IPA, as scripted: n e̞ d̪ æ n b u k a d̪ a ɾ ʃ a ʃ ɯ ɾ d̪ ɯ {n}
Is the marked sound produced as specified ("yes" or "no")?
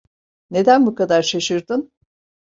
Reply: yes